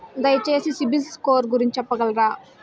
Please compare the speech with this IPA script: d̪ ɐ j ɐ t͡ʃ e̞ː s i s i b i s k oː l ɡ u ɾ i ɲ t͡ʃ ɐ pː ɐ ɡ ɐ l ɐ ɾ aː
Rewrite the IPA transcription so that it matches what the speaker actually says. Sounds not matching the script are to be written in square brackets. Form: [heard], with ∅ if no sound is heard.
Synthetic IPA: d̪ ɐ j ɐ t͡ʃ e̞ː s i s i b i s k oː [ɾ] ɡ u ɾ i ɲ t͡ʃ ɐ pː ɐ ɡ ɐ l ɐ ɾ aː

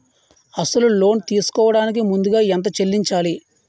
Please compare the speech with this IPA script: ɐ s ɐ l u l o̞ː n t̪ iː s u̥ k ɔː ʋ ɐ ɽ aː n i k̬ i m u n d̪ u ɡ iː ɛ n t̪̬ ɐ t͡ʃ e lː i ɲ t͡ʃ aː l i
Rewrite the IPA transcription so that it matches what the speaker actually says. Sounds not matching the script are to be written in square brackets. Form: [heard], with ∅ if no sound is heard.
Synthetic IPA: ɐ s ɐ l u l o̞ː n t̪ iː s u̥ k ɔː ʋ ɐ ɽ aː n i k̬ i m u n d̪ u ɡ [aː] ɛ n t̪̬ ɐ t͡ʃ e lː i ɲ t͡ʃ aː l i

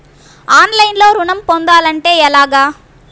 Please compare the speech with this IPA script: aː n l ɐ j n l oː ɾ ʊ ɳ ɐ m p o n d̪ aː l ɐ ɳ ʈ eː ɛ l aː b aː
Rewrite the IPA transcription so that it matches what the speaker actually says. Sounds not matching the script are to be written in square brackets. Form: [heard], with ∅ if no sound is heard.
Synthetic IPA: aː n l ɐ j n l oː ɾ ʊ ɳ ɐ m p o n d̪ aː l ɐ ɳ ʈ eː ɛ l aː [ɡ] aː

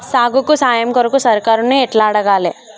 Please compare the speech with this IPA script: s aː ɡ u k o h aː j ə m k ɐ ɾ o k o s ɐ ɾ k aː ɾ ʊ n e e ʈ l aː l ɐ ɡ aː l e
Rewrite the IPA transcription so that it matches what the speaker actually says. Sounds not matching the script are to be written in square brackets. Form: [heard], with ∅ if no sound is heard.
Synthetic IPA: s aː ɡ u k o [s] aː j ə m k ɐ ɾ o k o s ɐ ɾ k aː ɾ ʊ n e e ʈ l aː [ɽ] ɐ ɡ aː l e

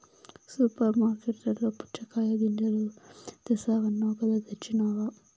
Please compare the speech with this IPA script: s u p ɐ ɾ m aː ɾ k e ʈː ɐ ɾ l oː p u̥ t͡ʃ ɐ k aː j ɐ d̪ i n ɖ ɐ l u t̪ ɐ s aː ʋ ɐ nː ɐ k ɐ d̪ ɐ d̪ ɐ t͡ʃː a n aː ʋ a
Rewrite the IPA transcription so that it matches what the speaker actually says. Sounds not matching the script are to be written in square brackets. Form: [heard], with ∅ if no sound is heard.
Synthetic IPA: s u p ɐ ɾ m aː ɾ k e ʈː ɐ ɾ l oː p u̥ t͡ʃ ɐ k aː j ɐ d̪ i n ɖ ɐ l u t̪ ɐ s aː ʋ ɐ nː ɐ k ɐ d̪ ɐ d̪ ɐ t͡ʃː [i] n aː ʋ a

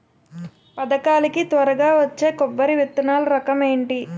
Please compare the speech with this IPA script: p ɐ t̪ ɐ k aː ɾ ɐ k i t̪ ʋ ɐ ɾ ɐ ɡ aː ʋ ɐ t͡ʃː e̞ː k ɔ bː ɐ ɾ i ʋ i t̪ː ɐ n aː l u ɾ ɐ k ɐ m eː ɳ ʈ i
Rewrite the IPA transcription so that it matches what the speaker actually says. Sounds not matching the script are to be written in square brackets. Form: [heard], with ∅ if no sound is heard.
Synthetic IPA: p ɐ [d̪] ɐ k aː [l] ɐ k i t̪ ʋ ɐ ɾ ɐ ɡ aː ʋ ɐ t͡ʃː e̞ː k ɔ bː ɐ ɾ i ʋ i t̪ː ɐ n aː l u ɾ ɐ k ɐ m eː ɳ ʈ i

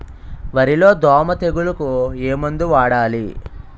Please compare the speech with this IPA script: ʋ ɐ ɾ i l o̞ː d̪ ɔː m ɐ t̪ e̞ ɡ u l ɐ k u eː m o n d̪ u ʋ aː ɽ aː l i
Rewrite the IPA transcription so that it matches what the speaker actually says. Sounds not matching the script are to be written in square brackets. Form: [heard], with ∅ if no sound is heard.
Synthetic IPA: ʋ ɐ ɾ i l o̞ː d̪ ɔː m ɐ t̪ e̞ ɡ u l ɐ k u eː m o n d̪ u ʋ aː ɽ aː l i

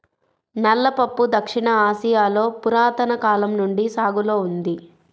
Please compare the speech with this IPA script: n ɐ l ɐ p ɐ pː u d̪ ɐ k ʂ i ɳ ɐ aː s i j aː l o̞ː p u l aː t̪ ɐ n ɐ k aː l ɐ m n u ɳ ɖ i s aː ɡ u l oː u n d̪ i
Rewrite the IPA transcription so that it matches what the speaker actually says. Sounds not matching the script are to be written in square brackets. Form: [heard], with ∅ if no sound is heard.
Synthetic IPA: n ɐ [lː] ɐ p ɐ pː u d̪ ɐ k ʂ i ɳ ɐ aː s i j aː l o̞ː p u [ɾ] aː t̪ ɐ n ɐ k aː l ɐ m n u ɳ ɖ i s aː ɡ u l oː u n d̪ i

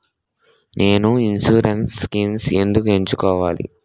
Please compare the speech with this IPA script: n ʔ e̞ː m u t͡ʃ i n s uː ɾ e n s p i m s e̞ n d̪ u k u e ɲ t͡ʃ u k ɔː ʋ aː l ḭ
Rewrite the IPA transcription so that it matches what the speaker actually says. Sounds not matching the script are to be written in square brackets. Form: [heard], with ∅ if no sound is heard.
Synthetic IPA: n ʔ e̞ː [n] u [∅] i n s uː ɾ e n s [k] i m s e̞ n d̪ u k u e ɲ t͡ʃ u k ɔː ʋ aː l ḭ

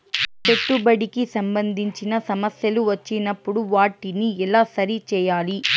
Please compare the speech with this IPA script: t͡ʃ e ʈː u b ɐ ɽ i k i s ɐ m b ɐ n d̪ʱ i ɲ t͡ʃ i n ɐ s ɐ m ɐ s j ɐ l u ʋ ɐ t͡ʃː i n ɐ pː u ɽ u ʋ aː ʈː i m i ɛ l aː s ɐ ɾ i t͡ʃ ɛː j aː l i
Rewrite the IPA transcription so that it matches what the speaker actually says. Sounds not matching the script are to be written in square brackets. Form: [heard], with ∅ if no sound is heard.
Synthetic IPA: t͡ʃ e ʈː u b ɐ ɽ i k i s ɐ m b ɐ n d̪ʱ i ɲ t͡ʃ i n ɐ s ɐ m ɐ s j ɐ l u ʋ ɐ t͡ʃː i n ɐ pː u ɽ u ʋ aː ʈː i [n] i ɛ l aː s ɐ ɾ i t͡ʃ ɛː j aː l i

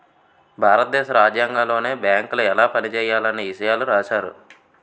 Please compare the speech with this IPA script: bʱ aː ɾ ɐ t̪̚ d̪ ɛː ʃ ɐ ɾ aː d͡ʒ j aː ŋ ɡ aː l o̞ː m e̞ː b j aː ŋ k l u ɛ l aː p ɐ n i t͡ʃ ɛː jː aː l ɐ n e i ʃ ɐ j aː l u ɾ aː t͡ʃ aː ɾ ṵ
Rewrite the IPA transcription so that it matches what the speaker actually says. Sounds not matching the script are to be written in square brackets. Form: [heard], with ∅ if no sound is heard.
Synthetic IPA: bʱ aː ɾ ɐ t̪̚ d̪ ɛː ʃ ɐ ɾ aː d͡ʒ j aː ŋ ɡ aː l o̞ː [n] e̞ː b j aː ŋ k l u ɛ l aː p ɐ n i t͡ʃ ɛː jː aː l ɐ n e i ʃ ɐ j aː l u ɾ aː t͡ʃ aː ɾ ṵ

